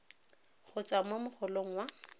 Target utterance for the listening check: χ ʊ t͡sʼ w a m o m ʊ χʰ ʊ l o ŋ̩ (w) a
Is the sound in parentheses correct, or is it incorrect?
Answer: correct